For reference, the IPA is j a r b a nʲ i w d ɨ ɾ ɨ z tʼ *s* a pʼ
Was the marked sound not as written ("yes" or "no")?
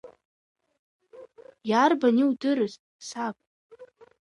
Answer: no